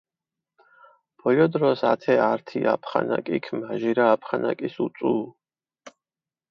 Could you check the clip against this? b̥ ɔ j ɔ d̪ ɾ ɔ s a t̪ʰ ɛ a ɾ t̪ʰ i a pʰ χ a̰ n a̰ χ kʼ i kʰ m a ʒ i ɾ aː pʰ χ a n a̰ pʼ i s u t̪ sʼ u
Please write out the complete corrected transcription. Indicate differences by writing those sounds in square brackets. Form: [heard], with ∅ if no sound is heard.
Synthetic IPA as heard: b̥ ɔ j ɔ d̪ ɾ ɔ s a t̪ʰ ɛ a ɾ t̪ʰ i a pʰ χ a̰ n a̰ [∅] kʼ i kʰ m a ʒ i ɾ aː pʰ χ a n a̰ [kʼ] i s u t̪ sʼ u